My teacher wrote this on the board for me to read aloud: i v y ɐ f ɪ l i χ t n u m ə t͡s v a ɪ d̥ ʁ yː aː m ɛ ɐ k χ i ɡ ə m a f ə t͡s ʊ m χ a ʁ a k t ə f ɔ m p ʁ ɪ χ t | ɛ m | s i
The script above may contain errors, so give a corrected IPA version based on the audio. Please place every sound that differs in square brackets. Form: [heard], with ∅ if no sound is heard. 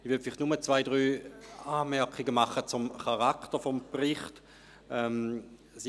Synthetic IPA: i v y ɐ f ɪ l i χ t n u m ə t͡s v a ɪ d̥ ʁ yː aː m ɛ ɐ k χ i ɡ ə m a [χ] ə t͡s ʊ m χ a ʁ a k t ə f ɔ m p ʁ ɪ χ t | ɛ m | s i